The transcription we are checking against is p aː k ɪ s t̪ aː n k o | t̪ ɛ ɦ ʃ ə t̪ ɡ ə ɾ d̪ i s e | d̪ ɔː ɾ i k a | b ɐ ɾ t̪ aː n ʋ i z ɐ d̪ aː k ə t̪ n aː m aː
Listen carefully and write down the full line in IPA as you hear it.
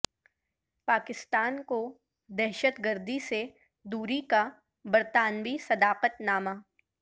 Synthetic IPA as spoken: p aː k ɪ s t̪ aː n k o | d̪ ɛ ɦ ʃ ə t̪ ɡ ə ɾ d̪ i s e | d̪ uː ɾ i k a | b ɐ ɾ t̪ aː n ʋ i s ɐ d̪ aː q ə t̪ n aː m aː